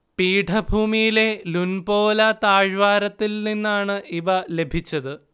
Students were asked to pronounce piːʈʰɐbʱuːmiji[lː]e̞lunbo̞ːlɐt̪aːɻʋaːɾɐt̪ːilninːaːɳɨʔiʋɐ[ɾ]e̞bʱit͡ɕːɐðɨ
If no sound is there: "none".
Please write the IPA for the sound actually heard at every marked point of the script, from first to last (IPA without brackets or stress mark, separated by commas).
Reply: l, l